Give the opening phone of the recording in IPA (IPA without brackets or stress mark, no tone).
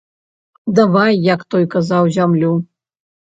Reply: d̪